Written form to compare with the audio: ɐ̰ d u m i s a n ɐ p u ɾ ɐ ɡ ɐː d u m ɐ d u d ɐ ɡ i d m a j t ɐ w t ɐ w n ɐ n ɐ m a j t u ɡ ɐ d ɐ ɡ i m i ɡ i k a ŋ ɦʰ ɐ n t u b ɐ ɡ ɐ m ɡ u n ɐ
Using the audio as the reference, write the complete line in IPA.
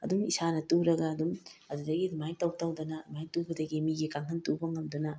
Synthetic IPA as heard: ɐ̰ d u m i s a n ɐ t u ɾ ɐ ɡ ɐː d u m ɐ d u d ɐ ɡ i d m a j t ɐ w t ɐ w d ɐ n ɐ m a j t u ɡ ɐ d ɐ ɡ i m i ɡ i k a ŋ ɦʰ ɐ n t u b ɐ ŋ ɐ m d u n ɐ